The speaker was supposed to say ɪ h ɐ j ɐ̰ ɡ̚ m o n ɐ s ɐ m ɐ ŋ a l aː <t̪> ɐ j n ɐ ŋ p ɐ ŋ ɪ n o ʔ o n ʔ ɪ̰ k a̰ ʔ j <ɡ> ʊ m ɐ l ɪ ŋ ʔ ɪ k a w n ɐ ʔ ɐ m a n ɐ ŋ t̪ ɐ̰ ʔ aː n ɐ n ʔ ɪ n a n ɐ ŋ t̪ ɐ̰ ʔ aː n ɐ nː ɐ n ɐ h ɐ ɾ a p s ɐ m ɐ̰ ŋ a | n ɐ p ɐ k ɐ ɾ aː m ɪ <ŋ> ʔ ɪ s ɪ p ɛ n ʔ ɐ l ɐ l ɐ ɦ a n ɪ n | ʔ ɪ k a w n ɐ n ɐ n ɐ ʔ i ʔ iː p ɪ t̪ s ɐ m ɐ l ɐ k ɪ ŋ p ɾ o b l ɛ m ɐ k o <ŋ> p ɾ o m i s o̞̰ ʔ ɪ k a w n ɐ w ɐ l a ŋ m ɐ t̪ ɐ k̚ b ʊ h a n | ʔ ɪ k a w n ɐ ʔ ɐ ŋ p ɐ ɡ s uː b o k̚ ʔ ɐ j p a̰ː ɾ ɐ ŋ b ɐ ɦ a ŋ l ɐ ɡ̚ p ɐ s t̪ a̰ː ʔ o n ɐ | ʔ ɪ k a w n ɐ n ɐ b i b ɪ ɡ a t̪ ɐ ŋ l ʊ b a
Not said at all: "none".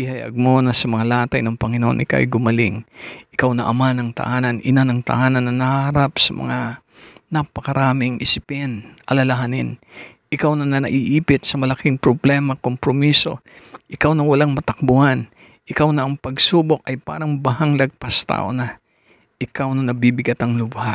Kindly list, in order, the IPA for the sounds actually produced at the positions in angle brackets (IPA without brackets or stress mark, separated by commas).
t̪, ɡ, ŋ, m